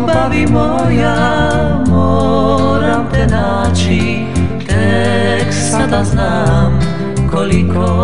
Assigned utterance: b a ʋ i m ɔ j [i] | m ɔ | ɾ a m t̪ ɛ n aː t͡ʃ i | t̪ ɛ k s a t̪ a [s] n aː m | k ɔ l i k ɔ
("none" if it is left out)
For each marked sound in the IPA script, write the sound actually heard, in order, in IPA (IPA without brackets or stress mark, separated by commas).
a, z